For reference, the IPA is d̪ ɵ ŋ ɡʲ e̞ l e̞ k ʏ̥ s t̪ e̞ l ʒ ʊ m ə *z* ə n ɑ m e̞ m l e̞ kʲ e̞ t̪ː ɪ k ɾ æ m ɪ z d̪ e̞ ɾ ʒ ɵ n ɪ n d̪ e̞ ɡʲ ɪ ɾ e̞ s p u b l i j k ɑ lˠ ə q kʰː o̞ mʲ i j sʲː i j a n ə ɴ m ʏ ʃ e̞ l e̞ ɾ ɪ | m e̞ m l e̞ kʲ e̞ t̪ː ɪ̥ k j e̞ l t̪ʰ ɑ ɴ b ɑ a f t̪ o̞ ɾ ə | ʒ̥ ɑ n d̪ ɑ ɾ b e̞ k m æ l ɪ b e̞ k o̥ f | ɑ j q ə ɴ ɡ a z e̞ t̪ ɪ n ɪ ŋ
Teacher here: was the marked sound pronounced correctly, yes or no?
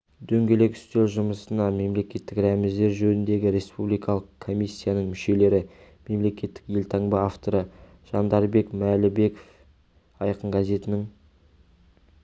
no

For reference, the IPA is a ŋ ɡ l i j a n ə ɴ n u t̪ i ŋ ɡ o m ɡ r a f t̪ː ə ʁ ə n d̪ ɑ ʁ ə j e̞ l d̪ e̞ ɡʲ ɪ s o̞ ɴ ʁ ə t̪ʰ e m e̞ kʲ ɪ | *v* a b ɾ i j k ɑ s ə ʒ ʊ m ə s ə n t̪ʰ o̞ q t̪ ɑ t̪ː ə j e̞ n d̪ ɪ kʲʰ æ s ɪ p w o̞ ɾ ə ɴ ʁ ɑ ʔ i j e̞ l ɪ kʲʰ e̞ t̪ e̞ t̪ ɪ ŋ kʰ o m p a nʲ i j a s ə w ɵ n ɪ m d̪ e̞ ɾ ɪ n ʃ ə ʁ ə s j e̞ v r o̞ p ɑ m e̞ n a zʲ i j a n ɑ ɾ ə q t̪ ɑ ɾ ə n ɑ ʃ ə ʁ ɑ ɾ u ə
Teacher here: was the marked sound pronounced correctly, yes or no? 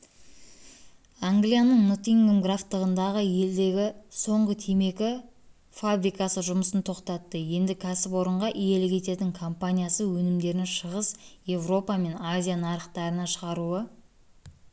no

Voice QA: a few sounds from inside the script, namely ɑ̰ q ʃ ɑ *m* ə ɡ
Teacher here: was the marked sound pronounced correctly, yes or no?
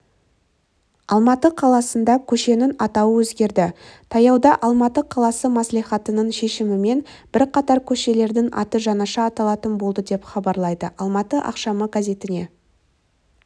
yes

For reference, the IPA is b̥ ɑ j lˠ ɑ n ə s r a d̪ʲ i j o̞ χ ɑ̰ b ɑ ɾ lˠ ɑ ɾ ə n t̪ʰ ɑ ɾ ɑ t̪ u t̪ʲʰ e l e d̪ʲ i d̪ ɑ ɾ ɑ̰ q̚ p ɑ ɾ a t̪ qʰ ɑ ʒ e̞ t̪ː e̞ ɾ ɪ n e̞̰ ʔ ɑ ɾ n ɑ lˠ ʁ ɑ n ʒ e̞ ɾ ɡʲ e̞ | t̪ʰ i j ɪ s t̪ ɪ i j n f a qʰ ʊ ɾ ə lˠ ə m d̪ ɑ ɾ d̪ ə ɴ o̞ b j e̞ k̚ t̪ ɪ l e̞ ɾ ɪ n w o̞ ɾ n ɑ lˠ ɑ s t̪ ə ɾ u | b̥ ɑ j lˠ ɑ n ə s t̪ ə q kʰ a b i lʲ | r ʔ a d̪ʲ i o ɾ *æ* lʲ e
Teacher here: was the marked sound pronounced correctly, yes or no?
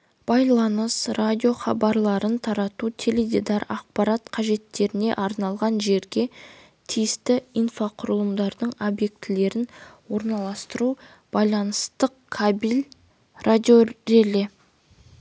no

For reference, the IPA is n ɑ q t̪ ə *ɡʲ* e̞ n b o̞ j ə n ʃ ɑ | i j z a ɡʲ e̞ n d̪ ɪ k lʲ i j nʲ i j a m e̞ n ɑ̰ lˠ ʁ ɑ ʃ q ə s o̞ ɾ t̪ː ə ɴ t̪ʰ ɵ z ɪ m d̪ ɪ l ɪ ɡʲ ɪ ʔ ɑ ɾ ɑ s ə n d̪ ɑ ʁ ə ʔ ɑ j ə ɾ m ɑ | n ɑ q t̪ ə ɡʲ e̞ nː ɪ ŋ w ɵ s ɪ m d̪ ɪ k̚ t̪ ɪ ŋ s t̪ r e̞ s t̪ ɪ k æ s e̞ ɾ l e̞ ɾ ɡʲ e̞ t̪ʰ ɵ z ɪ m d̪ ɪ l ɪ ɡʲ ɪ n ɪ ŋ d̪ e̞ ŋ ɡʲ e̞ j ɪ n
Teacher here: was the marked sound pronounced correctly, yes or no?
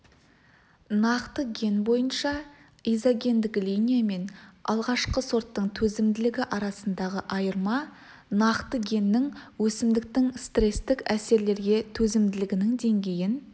yes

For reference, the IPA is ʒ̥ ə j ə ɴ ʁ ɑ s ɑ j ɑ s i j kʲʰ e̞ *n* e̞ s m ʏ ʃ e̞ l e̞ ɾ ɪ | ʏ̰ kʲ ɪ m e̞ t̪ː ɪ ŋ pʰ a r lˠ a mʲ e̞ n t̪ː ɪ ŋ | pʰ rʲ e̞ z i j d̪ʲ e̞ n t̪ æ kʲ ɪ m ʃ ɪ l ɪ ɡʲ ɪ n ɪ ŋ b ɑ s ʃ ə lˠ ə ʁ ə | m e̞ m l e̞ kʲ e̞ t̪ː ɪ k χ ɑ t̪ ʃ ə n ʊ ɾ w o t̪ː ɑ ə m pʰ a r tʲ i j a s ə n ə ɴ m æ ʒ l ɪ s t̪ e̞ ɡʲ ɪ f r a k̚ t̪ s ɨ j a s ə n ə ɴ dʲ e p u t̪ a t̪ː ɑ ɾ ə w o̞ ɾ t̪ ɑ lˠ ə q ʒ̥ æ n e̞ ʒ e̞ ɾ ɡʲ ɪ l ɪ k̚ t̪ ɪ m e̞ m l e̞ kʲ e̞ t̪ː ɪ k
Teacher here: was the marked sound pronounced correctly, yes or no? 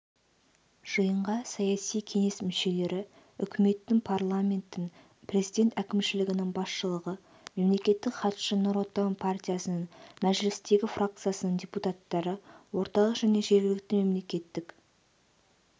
no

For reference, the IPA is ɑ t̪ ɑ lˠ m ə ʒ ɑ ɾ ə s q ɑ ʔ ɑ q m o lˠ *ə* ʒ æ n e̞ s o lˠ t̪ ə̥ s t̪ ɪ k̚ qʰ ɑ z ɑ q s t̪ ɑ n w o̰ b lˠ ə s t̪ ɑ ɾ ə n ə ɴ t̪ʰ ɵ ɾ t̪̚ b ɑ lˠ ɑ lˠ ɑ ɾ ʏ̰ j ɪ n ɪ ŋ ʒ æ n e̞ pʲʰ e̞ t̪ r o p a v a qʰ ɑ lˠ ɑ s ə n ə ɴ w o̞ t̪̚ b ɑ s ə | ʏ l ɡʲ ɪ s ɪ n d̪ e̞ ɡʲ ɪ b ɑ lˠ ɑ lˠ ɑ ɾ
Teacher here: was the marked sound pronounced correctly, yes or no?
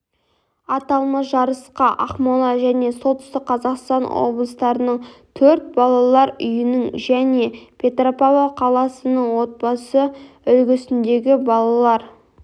no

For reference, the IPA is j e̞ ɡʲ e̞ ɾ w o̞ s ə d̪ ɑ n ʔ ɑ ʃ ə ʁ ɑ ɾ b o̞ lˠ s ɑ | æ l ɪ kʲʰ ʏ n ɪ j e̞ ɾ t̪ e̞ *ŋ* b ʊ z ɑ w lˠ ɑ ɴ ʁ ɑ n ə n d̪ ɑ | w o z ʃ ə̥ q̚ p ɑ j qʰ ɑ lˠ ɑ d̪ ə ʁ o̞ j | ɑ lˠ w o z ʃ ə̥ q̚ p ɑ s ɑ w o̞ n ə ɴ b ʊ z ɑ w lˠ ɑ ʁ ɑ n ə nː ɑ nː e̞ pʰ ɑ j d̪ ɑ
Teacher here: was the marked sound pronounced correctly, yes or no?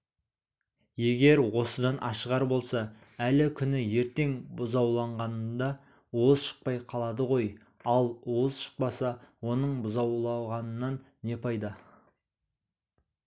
yes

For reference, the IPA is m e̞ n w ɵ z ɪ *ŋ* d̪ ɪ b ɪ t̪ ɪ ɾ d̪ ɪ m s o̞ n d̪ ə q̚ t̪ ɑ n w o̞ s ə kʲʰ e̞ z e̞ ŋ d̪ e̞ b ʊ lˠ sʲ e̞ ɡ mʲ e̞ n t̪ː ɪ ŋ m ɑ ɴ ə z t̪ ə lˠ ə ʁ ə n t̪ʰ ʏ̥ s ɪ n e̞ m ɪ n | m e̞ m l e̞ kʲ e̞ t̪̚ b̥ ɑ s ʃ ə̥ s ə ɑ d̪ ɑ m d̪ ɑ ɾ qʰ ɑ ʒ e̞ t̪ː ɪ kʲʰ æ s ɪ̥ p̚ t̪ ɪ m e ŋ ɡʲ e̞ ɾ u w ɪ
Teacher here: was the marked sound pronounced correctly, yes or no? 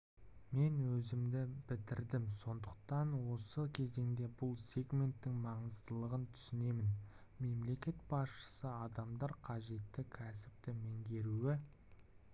no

